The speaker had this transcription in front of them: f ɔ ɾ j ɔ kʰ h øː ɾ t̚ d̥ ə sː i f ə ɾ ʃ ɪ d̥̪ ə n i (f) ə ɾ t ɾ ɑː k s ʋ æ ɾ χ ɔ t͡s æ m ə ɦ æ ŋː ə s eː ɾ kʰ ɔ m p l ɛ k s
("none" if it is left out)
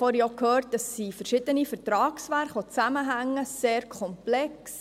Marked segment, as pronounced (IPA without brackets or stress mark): f